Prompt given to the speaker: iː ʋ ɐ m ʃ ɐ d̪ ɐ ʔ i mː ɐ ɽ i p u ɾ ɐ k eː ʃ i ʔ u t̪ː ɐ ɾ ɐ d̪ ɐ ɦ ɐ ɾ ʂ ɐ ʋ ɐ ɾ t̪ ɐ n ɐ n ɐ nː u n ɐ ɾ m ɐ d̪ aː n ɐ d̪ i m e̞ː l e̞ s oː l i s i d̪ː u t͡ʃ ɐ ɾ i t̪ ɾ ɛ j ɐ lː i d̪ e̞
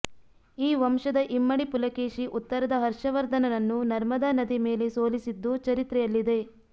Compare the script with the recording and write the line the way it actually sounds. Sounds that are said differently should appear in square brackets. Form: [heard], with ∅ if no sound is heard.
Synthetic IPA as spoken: iː ʋ ɐ m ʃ ɐ d̪ ɐ ʔ i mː ɐ ɽ i p u [l] ɐ k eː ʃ i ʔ u t̪ː ɐ ɾ ɐ d̪ ɐ ɦ ɐ ɾ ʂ ɐ ʋ ɐ ɾ [d̪] ɐ n ɐ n ɐ nː u n ɐ ɾ m ɐ d̪ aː n ɐ d̪ i m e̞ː l e̞ s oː l i s i d̪ː u t͡ʃ ɐ ɾ i t̪ ɾ ɛ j ɐ lː i d̪ e̞